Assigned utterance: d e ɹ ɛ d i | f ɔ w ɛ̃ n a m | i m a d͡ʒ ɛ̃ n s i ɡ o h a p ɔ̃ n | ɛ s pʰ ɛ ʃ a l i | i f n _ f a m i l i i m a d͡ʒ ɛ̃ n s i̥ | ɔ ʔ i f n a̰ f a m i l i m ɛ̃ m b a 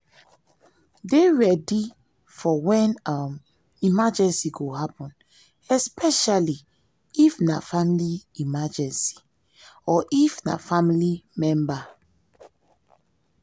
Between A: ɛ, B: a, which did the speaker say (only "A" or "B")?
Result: B